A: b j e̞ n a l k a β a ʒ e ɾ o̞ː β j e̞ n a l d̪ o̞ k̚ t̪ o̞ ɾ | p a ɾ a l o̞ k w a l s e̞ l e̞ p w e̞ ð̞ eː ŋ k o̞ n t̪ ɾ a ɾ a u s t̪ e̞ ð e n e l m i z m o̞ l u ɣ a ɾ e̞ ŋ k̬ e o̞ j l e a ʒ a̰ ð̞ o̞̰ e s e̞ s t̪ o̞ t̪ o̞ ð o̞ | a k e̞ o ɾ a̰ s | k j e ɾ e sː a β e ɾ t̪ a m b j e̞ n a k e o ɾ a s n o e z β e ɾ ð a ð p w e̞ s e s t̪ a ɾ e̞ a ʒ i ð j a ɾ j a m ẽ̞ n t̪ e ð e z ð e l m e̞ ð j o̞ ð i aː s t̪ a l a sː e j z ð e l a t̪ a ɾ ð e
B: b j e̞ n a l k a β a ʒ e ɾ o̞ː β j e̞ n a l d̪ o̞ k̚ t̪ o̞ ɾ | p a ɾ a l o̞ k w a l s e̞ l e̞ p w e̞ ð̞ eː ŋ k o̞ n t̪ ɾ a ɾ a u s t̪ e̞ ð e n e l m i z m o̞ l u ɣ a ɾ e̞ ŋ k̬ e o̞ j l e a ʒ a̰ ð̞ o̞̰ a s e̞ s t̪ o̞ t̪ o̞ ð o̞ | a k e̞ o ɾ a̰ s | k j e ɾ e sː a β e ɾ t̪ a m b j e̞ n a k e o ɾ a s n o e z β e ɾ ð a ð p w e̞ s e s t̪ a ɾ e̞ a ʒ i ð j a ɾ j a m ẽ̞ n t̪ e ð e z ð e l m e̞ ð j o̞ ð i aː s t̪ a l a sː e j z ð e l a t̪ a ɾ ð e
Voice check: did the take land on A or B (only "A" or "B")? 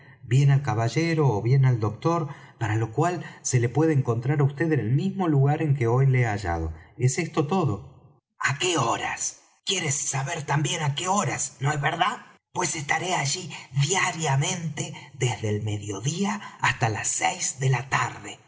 A